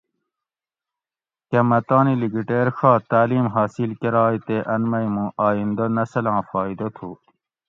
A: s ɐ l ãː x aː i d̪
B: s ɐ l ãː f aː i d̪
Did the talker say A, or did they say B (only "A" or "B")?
B